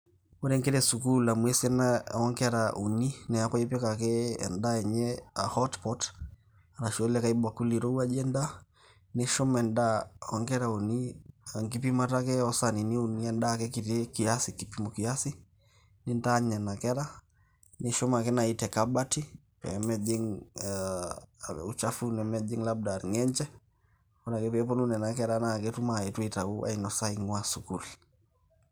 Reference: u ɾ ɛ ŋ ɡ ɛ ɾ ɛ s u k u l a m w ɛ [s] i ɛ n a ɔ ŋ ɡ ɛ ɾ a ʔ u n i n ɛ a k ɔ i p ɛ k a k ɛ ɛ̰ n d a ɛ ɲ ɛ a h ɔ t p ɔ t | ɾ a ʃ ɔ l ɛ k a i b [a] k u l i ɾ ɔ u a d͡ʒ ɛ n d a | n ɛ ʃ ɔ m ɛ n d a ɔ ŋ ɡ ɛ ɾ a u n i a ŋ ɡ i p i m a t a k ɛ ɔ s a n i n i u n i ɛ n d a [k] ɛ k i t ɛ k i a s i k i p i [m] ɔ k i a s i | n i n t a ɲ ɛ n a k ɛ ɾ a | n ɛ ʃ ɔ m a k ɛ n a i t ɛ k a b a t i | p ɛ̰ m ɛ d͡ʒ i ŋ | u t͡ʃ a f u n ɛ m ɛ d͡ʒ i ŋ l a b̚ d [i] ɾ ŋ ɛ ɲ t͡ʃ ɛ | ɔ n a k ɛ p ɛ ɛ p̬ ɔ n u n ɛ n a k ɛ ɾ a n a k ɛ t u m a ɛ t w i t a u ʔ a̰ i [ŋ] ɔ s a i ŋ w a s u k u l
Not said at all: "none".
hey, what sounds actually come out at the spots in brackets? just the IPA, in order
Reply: s, a, k, m, a, n

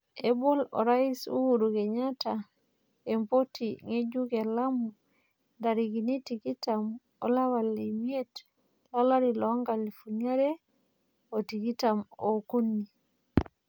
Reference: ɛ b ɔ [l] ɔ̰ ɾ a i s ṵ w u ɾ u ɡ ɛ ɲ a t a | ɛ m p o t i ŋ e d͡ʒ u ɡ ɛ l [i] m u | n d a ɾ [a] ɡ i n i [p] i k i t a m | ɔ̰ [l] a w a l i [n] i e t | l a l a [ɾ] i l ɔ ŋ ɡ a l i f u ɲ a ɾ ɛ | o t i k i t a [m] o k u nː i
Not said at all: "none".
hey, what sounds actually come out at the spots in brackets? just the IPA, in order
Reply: l, a, i, t, l, m, ɾ, m

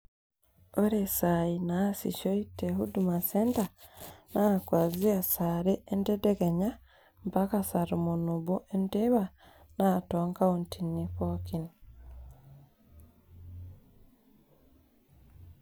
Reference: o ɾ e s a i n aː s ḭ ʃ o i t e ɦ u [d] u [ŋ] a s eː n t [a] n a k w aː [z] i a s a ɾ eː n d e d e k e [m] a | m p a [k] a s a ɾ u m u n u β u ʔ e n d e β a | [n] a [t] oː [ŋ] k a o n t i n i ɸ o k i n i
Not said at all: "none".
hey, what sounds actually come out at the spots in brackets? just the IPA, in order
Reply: d, m, a, z, ɲ, k, n, t, ŋ

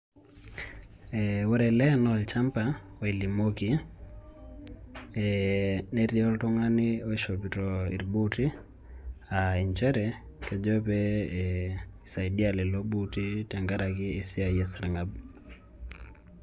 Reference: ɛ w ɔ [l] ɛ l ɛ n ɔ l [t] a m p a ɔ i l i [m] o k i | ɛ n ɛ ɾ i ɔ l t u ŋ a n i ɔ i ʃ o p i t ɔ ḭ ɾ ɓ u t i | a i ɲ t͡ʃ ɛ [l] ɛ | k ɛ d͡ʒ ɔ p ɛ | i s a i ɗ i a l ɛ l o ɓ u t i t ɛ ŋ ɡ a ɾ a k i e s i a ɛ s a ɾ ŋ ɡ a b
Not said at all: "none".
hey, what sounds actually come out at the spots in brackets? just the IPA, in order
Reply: ɾ, t͡ʃ, m, ɾ

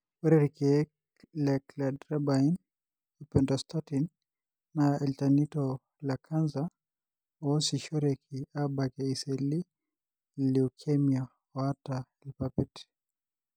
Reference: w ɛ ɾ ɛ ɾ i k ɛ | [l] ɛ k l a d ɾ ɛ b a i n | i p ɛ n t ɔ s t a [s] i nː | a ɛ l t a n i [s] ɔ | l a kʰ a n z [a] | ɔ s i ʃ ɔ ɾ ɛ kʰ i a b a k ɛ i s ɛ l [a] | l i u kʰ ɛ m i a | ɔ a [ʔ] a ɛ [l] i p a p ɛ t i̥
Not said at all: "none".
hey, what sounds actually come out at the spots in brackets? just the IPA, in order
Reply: l, t, t, a, i, t, l

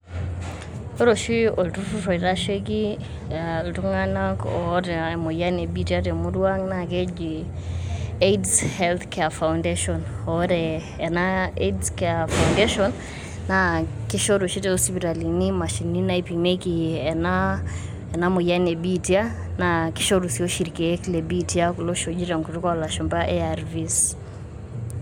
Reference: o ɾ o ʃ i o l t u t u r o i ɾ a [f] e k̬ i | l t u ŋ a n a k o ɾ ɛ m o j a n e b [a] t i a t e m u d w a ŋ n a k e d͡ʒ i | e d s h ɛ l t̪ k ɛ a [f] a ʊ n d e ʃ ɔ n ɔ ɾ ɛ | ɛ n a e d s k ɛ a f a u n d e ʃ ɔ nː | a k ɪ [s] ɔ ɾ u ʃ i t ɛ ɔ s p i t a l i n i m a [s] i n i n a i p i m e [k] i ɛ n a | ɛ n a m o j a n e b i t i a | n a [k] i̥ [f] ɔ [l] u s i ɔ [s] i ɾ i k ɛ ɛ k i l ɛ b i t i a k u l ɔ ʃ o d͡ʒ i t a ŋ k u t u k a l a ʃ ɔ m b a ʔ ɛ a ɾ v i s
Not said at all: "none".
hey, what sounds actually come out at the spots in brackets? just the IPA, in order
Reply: ʃ, i, f, ʃ, ʃ, k, k, ʃ, ɾ, ʃ

